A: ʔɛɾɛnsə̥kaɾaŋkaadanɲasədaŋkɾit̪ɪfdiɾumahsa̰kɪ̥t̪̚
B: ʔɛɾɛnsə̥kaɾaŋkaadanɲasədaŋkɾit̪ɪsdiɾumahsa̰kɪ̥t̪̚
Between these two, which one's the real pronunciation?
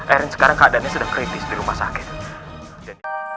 B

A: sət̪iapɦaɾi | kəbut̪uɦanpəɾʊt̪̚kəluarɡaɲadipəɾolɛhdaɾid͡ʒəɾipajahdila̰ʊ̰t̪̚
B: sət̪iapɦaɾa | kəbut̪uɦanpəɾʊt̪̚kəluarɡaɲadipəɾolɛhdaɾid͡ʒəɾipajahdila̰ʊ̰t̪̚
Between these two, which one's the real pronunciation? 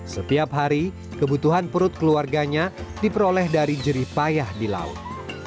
A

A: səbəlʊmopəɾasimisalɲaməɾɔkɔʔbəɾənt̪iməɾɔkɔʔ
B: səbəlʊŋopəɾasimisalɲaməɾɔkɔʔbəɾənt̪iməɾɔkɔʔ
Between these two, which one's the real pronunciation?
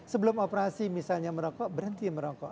A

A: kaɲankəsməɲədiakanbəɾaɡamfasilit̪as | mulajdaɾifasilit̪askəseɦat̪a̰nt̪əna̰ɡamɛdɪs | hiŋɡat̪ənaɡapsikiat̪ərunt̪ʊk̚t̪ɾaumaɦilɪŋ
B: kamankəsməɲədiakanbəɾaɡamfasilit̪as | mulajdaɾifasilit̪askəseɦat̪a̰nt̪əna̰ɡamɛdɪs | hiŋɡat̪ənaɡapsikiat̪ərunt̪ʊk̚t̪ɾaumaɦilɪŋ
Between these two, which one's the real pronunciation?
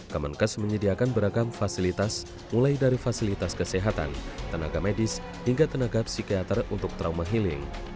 B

